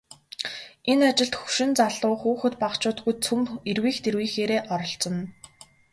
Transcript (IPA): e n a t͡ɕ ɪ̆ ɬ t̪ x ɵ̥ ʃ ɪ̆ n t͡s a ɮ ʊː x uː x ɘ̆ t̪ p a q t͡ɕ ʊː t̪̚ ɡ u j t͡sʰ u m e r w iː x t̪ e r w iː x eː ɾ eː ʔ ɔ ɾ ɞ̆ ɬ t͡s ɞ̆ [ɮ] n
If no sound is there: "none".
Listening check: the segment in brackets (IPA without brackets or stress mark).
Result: none